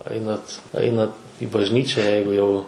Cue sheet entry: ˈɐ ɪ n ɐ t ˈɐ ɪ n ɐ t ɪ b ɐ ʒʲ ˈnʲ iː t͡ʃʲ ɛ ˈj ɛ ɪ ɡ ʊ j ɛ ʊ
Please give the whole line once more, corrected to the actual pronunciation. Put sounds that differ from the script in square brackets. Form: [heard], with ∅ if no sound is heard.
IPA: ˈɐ ɪ n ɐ t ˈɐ ɪ n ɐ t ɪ b ɐ ʒʲ ˈnʲ iː t͡ʃʲ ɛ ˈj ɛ ɪ ɡ ʊ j ɛ ʊ